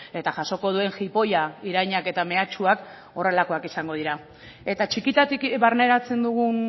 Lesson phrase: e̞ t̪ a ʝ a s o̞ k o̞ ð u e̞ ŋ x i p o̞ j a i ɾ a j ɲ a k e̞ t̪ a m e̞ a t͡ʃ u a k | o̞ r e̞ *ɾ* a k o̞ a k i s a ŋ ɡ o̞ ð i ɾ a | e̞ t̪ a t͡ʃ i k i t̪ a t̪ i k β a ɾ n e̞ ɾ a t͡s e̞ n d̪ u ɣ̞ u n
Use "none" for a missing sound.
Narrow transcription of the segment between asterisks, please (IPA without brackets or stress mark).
l